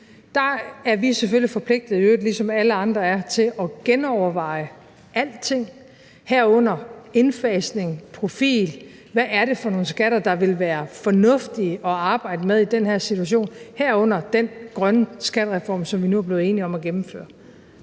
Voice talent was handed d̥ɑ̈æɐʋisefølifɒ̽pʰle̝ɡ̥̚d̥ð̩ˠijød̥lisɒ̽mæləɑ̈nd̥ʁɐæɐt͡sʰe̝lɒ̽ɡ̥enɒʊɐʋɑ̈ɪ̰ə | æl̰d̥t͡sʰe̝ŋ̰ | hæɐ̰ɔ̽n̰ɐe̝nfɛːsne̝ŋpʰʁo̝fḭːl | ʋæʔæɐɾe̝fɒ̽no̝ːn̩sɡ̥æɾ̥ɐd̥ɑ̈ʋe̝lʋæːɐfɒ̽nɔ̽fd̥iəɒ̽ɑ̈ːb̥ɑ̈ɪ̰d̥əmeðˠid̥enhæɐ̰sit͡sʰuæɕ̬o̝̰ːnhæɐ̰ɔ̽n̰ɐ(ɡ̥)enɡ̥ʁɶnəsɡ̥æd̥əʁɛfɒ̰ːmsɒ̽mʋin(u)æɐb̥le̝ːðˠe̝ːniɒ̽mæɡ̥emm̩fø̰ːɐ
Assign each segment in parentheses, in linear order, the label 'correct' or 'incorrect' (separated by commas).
incorrect, correct